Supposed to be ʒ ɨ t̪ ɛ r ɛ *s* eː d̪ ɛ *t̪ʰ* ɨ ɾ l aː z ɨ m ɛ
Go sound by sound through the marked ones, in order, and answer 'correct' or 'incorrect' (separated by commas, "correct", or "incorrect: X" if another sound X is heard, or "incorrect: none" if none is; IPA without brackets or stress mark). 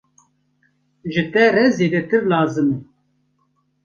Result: incorrect: z, incorrect: t̪